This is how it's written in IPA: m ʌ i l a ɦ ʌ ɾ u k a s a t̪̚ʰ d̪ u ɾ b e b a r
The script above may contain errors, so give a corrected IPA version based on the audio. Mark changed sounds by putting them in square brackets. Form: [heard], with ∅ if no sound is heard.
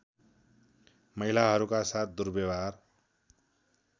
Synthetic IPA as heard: m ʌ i l a ɦ ʌ ɾ u k a s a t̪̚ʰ d̪ u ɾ b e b a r